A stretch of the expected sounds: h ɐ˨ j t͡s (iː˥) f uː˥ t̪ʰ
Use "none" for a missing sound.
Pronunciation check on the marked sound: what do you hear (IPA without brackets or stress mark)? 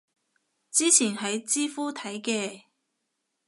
iː˥